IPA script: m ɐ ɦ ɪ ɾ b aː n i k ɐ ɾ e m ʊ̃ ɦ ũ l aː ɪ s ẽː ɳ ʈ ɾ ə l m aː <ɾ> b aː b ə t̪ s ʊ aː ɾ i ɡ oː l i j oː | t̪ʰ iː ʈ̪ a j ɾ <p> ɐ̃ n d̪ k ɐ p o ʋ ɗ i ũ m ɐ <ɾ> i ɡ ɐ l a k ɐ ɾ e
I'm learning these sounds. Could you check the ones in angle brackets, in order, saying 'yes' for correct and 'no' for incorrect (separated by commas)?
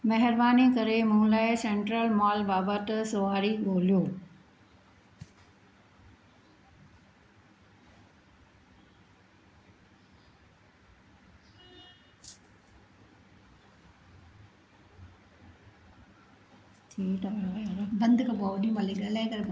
no, no, no